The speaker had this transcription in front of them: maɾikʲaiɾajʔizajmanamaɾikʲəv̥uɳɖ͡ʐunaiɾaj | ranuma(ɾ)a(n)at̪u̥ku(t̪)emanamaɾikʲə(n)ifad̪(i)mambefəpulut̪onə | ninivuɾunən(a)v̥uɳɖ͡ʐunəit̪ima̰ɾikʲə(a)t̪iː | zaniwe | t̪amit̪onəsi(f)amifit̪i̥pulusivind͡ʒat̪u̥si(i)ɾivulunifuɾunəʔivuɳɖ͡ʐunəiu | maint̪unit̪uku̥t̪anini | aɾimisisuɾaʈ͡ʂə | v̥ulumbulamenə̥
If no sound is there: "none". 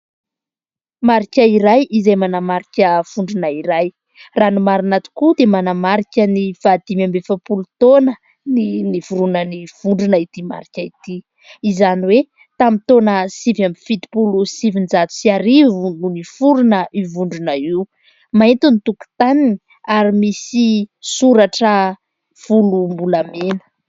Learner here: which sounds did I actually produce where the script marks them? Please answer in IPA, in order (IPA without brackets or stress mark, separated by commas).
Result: ɾ, n, d̪, n, i, i, i, v, a